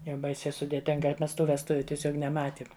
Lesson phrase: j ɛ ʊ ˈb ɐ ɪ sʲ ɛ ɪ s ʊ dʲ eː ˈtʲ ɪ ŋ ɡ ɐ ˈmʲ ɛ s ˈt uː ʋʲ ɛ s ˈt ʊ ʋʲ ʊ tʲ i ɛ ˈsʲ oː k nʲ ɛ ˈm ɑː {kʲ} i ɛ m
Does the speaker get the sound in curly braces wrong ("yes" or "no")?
yes